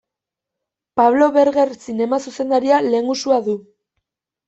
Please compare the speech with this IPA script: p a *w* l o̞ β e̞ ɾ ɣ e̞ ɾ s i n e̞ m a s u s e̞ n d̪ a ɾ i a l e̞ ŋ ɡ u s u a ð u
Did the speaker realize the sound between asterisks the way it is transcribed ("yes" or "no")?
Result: no